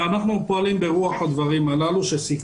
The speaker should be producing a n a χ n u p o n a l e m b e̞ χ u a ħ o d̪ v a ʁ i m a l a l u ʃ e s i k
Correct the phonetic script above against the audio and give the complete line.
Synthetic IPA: a n a χ n u p o a l i m b e̞ ʁ u a ħ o d̪ v a ʁ i m a l a l u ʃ e s i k